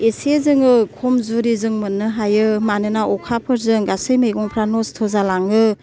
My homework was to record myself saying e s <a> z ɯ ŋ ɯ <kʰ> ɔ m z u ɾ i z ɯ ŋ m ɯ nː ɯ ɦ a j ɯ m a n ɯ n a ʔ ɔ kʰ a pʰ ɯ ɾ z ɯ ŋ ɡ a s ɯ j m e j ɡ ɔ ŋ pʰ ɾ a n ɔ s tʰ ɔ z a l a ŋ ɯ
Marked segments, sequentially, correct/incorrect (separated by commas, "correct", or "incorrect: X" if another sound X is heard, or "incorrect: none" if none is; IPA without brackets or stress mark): incorrect: e, correct